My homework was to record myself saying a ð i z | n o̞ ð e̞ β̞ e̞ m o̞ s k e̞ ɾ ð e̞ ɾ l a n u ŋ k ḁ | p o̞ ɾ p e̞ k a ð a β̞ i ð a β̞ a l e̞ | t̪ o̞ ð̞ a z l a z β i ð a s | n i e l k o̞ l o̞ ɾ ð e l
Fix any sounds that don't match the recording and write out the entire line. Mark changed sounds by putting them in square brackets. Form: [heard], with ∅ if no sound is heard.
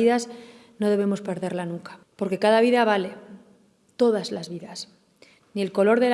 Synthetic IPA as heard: [i] ð [a] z | n o̞ ð e̞ β̞ e̞ m o̞ s [p] e̞ ɾ ð e̞ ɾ l a n u ŋ k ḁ | p o̞ ɾ [k] e̞ k a ð a β̞ i ð a β̞ a l e̞ | t̪ o̞ ð̞ a z l a z β i ð a s | n i e l k o̞ l o̞ ɾ ð e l